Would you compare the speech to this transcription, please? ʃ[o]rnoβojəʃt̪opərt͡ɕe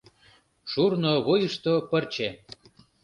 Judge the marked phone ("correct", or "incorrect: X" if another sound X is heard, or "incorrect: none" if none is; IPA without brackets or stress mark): incorrect: u